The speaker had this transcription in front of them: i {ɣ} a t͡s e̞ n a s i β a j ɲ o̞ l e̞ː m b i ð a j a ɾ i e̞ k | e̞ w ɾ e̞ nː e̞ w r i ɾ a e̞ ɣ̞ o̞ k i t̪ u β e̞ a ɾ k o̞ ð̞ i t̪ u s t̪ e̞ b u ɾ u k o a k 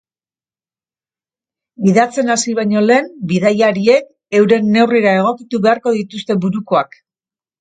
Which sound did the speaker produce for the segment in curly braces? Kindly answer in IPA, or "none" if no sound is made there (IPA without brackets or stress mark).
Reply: ð